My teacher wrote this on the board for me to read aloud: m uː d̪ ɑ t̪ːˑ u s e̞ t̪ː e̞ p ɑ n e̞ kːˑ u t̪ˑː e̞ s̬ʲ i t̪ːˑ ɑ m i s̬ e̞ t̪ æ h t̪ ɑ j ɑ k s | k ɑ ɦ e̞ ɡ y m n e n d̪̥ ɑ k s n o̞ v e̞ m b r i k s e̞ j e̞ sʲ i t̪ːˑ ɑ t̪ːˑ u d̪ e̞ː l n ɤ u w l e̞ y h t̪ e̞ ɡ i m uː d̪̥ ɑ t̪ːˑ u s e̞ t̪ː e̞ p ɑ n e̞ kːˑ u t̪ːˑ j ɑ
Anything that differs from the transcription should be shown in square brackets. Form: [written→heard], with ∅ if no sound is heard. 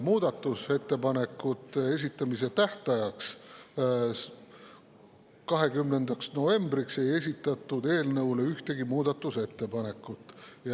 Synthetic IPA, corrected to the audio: m uː d̪ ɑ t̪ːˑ u s e̞ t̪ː e̞ p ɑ n e̞ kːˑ u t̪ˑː e̞ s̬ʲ i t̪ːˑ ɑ m i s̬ e̞ t̪ æ h t̪ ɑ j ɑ k s | k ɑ ɦ e̞ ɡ y m n e n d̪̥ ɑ k s n o̞ v e̞ m b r i k s e̞ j e̞ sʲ i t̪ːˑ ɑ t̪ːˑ u d̪ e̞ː l n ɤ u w l e̞ y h t̪ e̞ ɡ i m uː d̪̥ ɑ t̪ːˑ u s e̞ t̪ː e̞ p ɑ n e̞ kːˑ u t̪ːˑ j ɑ